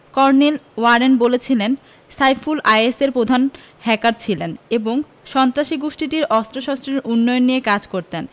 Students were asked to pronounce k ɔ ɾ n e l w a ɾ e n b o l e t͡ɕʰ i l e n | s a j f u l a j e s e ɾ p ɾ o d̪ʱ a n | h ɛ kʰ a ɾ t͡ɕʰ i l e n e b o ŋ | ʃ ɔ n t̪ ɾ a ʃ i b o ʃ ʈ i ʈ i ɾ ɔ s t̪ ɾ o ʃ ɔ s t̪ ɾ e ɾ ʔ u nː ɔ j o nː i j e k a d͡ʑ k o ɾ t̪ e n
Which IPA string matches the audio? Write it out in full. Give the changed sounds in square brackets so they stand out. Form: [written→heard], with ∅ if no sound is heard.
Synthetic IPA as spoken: k ɔ ɾ n e l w a ɾ e n b o l e t͡ɕʰ i l e n | s a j f u l a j e s e ɾ p ɾ o d̪ʱ a n | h ɛ [kʰ→k] a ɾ t͡ɕʰ i l e n e b o ŋ | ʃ ɔ n t̪ ɾ a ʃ i [b→ɡ] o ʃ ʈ i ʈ i ɾ ɔ s t̪ ɾ o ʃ ɔ s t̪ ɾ e ɾ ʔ u nː ɔ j o nː i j e k a d͡ʑ k o ɾ t̪ e n